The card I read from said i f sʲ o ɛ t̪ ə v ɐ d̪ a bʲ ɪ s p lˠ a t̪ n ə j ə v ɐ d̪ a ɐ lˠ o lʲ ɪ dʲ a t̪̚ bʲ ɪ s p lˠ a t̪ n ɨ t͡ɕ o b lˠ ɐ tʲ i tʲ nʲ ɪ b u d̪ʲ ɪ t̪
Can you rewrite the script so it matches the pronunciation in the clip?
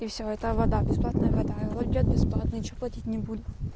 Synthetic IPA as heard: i f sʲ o ɛ t̪ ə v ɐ d̪ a bʲ ɪ s p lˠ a t̪ n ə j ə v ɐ d̪ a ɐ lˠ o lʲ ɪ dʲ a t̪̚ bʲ ɪ s p lˠ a t̪ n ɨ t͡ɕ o p lˠ ɐ tʲ i tʲ nʲ ɪ b u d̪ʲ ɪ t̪